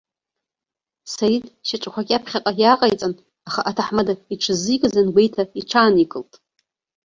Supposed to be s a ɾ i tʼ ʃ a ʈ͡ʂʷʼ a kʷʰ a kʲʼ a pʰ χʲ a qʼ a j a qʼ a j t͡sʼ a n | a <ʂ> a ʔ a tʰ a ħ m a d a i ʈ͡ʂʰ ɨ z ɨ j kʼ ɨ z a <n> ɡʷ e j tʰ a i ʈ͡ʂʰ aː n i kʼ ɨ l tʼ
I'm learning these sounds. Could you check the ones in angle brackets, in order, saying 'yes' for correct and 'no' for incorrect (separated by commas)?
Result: no, yes